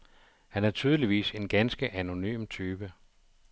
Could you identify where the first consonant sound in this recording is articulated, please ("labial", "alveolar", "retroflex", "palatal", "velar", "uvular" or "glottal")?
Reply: glottal